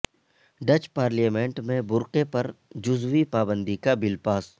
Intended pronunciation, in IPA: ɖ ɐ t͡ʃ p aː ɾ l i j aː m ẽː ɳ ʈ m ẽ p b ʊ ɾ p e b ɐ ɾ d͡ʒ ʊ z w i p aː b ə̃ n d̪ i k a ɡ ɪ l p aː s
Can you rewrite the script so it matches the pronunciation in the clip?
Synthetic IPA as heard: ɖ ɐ t͡ʃ p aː ɾ l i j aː m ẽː ɳ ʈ m ẽ b ʊ ɾ q e p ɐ ɾ d͡ʒ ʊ z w i p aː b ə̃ n d̪ i k a b ɪ l p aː s